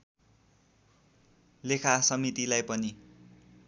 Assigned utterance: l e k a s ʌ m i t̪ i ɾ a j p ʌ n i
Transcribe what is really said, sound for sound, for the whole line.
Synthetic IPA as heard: l e kʰ a s ʌ m i t̪ i l a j p ʌ n i

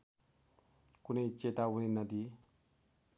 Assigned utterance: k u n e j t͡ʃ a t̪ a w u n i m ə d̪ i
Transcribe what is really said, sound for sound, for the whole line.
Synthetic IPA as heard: k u n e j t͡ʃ e t̪ a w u n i n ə d̪ i

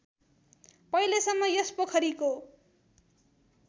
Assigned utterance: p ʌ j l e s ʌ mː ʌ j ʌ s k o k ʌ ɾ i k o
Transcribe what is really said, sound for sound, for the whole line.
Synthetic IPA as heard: p ʌ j l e s ʌ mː ʌ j ʌ s p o kʰ ʌ ɾ i k o

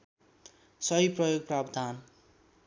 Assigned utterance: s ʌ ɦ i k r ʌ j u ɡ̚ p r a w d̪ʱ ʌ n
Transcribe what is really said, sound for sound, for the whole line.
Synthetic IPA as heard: s ʌ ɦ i p r ʌ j o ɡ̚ p r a b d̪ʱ a n

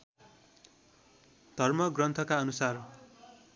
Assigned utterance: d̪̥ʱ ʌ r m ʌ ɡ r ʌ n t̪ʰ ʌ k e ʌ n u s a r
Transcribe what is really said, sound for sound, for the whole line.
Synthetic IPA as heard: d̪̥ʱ ʌ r m ʌ ɡ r ʌ n t̪ʰ ʌ k a ʌ n u s a r

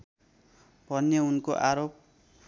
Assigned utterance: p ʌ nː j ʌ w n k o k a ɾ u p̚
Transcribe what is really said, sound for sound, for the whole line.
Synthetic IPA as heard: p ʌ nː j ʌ u n k o ʔ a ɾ o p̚

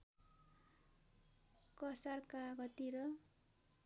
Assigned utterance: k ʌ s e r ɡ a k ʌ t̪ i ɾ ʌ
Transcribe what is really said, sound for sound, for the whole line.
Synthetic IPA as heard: k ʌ s a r k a ɡ ʌ t̪ i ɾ ʌ

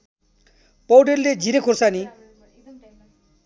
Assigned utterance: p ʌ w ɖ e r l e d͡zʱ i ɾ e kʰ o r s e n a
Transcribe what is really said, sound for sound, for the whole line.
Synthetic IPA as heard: p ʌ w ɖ e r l e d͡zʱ i ɾ e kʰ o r s a n i

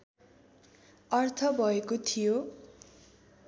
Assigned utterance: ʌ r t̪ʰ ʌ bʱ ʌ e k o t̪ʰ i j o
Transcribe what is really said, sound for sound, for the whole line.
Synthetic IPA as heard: ʌ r t̪ʰ ʌ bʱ ʌ e k o t̪ʰ i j o

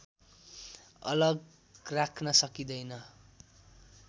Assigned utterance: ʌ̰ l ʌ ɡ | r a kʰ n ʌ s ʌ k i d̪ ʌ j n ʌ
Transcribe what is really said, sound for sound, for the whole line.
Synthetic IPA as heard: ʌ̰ l ʌ ɡ | r a kʰ n ʌ s ʌ k i d̪ ʌ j n ʌ

